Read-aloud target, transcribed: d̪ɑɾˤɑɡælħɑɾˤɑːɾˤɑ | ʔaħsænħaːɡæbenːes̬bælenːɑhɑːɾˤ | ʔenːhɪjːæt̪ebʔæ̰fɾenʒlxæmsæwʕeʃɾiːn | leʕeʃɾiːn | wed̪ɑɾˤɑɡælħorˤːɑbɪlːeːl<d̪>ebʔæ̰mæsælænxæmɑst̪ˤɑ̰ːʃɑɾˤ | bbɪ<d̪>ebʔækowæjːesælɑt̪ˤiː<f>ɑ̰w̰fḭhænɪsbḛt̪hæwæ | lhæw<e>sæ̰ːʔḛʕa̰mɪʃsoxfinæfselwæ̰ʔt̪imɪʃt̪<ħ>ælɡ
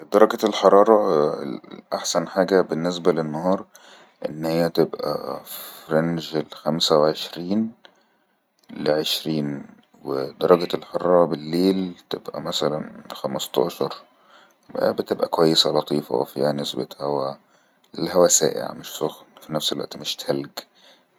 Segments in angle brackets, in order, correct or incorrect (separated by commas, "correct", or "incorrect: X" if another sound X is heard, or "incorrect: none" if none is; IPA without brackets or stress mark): incorrect: t̪, incorrect: t̪, correct, incorrect: æ, incorrect: h